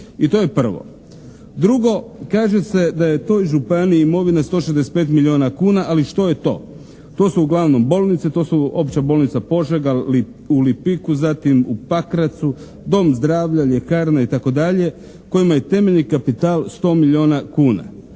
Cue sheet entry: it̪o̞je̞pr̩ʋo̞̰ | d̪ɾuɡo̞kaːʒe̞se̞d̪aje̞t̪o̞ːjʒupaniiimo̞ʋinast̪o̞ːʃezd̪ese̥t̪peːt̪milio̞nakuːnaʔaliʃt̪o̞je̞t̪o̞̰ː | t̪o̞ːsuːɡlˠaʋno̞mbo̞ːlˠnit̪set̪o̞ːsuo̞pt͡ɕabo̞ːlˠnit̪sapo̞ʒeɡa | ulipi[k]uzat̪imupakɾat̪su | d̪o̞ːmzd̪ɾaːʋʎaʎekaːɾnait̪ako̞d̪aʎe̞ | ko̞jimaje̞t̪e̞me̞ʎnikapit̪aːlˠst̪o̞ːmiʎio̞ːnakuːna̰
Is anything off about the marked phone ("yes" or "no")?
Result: no